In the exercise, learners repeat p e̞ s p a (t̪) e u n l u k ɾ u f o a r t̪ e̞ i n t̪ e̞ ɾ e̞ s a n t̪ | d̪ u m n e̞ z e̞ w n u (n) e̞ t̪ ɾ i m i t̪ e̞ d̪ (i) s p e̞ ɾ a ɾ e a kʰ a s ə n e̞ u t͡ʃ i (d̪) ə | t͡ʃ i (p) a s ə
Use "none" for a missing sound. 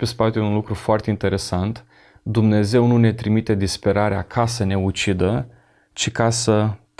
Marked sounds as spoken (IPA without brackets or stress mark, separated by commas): t̪, n, i, d̪, k